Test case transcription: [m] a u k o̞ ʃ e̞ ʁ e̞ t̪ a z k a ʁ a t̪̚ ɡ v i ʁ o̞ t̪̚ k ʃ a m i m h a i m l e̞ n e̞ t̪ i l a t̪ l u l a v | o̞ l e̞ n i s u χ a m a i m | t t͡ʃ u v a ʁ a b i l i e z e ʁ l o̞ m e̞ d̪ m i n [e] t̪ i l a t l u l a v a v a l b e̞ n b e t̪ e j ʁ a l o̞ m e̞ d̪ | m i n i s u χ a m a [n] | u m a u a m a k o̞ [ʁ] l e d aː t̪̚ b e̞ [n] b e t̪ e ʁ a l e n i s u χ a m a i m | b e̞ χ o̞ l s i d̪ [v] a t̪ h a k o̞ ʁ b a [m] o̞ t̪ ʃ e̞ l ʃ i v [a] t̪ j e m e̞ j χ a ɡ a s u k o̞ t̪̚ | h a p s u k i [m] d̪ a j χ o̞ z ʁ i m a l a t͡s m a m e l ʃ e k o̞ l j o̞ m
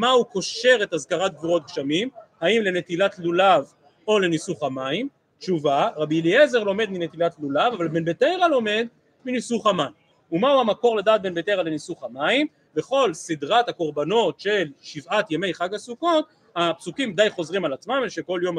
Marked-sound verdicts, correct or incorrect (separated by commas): correct, correct, correct, correct, correct, incorrect, incorrect, correct, correct